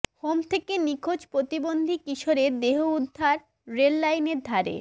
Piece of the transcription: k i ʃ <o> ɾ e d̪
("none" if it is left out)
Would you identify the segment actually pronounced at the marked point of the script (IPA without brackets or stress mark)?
o